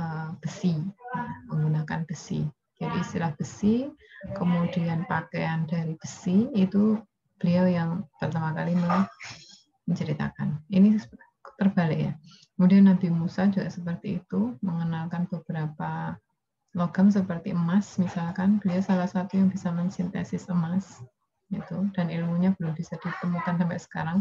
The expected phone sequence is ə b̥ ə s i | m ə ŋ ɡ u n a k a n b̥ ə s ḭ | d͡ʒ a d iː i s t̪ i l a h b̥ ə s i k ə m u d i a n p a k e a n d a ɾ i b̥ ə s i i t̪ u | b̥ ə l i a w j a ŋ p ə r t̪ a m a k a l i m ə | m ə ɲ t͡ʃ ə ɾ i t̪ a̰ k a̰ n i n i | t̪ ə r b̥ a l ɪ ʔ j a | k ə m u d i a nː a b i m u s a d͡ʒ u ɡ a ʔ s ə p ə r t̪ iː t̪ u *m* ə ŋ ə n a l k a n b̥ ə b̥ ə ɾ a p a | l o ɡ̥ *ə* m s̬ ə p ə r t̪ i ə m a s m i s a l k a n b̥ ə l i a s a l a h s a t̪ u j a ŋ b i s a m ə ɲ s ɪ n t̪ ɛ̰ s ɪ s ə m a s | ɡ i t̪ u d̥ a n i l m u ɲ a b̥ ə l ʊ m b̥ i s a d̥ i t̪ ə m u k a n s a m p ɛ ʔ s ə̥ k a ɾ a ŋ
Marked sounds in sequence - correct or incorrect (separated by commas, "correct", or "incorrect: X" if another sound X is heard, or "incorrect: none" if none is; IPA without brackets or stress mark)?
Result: correct, incorrect: a